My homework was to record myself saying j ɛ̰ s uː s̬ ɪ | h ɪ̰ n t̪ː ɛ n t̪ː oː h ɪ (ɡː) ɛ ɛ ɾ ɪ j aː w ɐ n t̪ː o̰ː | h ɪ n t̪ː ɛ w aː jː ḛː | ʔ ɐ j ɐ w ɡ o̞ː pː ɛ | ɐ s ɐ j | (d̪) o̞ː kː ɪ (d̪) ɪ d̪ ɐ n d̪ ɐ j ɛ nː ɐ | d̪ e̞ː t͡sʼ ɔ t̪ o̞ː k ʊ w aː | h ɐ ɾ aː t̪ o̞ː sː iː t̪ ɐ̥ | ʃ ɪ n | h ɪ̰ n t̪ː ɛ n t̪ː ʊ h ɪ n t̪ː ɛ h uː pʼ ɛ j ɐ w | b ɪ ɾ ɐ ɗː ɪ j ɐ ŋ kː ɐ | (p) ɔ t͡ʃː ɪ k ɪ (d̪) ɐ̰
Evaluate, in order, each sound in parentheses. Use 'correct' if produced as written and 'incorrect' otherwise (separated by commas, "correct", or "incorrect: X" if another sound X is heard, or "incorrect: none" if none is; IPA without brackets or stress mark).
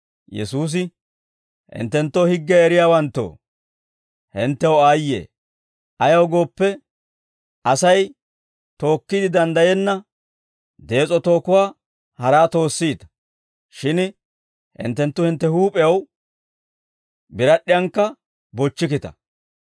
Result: correct, incorrect: t̪, correct, incorrect: b, incorrect: t̪